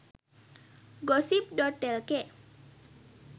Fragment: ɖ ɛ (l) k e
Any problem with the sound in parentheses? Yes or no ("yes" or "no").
no